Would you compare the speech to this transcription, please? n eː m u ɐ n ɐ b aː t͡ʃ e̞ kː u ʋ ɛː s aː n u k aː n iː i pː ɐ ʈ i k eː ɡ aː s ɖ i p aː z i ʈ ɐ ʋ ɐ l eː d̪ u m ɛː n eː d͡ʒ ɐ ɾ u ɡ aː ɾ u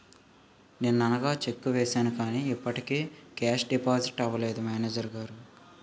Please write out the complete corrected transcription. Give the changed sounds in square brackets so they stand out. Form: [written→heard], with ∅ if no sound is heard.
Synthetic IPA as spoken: n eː [m→n] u ɐ n ɐ [b→ɡ] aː t͡ʃ e̞ kː u ʋ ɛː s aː n u k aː n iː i pː ɐ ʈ i k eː [ɡ→k] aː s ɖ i p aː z i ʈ ɐ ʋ ɐ l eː d̪ u m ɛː n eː d͡ʒ ɐ ɾ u ɡ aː ɾ u